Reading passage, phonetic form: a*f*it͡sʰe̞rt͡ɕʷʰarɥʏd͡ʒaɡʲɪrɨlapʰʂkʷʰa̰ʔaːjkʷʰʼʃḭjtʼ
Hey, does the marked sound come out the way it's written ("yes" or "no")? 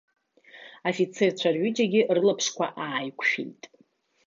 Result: yes